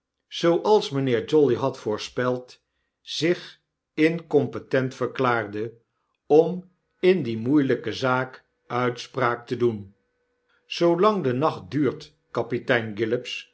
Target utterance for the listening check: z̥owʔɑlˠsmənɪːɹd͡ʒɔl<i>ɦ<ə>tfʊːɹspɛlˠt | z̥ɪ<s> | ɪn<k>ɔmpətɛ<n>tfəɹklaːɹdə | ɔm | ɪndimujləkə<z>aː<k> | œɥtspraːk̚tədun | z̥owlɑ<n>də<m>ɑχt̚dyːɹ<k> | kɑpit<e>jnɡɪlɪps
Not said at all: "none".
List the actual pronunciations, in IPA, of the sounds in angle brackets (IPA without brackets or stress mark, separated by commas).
i, ɑ, χ, k, n, z, k, ŋ, n, t, ɛ